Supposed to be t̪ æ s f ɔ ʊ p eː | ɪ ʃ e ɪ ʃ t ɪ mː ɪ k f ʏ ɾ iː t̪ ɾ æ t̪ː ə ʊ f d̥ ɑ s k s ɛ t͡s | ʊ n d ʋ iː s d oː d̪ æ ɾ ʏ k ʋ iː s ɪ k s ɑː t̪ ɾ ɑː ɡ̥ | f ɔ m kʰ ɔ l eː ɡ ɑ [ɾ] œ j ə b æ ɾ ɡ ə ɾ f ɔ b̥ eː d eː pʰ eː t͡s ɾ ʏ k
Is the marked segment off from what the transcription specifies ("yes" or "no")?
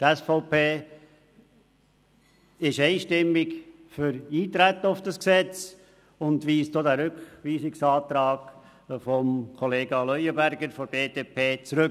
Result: yes